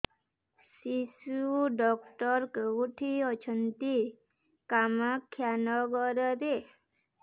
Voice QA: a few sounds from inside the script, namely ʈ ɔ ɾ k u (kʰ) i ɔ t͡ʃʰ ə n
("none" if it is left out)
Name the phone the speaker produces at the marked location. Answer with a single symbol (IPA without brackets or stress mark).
ʈʰ